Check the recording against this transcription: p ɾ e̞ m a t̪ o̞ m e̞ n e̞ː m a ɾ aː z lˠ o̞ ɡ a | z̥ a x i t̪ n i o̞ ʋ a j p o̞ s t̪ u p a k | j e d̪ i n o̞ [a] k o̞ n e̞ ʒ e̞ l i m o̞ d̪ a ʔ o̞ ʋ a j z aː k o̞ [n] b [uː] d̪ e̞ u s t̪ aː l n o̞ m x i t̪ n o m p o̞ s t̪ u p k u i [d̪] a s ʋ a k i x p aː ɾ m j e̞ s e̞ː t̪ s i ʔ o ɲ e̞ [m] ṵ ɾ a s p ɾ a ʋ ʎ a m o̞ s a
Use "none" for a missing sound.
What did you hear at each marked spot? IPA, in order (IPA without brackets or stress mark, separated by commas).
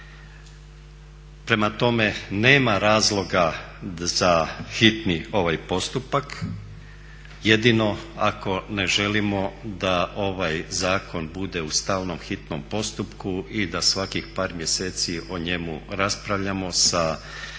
a, n, u, d̪, m